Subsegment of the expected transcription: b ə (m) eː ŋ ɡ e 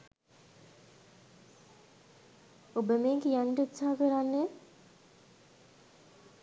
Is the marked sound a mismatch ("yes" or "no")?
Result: no